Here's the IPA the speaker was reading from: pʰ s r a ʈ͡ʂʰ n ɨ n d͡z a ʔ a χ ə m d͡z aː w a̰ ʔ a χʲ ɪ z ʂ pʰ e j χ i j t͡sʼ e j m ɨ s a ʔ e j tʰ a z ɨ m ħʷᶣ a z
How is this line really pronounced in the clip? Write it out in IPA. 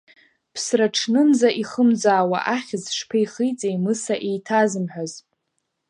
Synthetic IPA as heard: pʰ s r a ʈ͡ʂʰ n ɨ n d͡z a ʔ i χ ə m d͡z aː w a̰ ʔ a χʲ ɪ z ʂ pʰ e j χ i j t͡sʼ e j m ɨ s a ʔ e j tʰ a z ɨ m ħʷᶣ a z